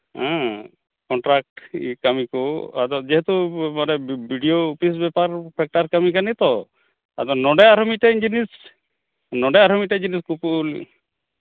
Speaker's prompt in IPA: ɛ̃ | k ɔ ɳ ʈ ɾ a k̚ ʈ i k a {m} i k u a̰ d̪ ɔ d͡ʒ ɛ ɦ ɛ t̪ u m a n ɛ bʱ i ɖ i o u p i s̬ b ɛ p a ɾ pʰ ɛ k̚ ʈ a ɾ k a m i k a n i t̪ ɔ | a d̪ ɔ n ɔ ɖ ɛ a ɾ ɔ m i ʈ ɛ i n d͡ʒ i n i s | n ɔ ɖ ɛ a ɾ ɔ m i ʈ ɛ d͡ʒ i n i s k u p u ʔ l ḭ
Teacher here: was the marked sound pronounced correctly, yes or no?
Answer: yes